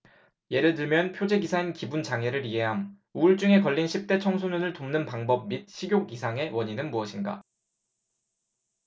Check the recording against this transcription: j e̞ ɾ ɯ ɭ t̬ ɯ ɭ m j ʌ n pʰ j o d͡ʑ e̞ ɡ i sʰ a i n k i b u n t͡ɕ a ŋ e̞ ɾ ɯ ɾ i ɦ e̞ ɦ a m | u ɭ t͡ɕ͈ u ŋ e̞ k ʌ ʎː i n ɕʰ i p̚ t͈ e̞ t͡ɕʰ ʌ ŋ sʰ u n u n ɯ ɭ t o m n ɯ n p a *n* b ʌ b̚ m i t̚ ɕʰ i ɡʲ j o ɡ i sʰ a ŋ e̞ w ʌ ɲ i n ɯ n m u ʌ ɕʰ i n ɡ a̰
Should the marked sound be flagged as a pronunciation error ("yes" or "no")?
yes